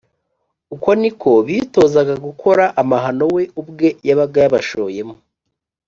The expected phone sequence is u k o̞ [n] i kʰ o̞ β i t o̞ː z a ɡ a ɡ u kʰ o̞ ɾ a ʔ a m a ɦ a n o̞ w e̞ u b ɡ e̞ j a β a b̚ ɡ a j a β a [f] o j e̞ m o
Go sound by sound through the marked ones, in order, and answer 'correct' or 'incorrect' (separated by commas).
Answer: correct, incorrect